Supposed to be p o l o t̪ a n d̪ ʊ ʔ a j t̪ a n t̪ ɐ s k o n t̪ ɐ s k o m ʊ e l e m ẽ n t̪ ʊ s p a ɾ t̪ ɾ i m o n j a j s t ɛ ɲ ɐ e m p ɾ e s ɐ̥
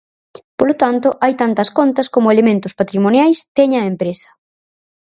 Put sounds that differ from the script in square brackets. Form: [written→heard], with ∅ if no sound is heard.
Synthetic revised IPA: p o l o t̪ a n [d̪→t̪] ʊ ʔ a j t̪ a n t̪ ɐ s k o n t̪ ɐ s k o m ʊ e l e m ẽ n t̪ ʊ s p a [ɾ→∅] t̪ ɾ i m o n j a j s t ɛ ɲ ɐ e m p ɾ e s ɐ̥